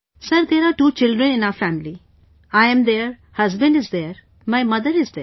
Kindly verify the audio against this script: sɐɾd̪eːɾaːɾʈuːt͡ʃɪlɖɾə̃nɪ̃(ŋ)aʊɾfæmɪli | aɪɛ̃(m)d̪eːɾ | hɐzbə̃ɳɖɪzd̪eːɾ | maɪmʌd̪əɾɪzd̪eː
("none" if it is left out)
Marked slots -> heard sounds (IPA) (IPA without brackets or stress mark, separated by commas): n, m